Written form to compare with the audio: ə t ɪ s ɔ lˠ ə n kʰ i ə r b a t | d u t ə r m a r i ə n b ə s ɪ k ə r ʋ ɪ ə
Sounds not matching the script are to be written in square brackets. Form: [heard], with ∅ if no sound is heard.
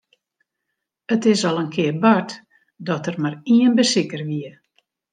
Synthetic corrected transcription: ə t ɪ s ɔ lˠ ə n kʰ [ɪ] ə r b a t | d [ɔ] t ə r m a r i ə n b ə s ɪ k ə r ʋ [i] ə